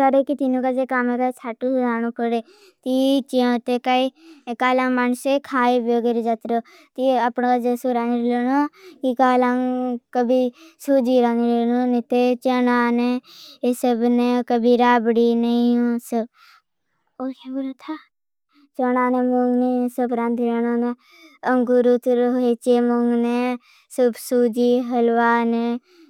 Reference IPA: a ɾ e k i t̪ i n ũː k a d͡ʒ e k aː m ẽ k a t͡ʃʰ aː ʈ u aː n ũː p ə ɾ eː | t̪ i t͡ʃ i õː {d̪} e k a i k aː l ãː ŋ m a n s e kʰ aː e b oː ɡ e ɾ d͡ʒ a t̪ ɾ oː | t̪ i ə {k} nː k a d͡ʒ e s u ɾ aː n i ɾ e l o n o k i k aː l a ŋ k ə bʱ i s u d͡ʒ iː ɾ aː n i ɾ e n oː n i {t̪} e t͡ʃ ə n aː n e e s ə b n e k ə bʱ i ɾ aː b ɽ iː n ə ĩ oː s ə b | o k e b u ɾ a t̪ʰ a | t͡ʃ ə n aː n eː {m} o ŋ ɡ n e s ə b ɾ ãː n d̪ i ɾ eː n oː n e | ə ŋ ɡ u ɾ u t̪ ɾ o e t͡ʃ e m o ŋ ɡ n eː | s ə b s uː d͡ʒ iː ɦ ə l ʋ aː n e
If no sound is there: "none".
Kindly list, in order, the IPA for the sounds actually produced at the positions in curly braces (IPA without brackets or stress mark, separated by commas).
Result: t̪, p, t̪, m